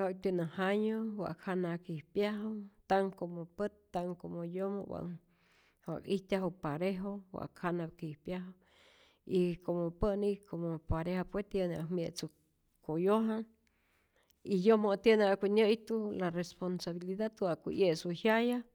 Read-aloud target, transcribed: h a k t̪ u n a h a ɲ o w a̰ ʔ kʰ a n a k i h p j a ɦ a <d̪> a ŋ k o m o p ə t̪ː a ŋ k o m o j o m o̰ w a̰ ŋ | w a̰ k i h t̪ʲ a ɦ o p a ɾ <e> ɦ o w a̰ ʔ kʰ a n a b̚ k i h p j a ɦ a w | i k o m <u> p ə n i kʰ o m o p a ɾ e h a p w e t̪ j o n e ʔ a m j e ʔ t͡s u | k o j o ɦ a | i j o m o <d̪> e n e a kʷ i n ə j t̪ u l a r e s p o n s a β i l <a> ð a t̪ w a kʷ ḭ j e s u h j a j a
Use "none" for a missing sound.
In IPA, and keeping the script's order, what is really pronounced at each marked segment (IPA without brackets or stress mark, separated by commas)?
t̪, e, o, t̪, i